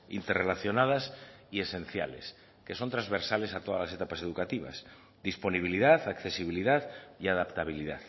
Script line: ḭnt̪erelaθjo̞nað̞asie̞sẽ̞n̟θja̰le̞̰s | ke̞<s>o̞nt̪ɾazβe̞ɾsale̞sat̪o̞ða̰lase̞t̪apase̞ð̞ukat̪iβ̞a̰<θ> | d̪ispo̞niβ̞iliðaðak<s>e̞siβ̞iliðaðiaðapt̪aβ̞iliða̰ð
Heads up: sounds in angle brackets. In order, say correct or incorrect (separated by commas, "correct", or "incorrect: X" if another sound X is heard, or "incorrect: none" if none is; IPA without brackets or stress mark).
correct, incorrect: s, incorrect: θ